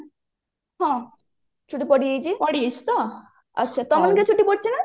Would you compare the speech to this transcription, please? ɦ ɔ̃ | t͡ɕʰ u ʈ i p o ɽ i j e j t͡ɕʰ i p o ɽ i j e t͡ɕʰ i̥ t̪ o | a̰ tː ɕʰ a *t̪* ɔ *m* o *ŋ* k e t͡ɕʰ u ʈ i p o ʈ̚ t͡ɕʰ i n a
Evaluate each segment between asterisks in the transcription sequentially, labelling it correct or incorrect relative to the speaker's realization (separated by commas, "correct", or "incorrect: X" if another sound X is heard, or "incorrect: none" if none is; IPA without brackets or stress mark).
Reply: correct, correct, incorrect: n